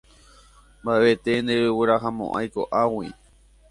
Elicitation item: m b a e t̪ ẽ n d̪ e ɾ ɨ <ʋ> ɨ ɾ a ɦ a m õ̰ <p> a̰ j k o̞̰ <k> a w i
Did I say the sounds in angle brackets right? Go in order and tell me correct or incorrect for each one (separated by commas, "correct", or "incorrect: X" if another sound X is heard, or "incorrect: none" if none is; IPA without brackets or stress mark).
incorrect: w, incorrect: ʔ, incorrect: ʔ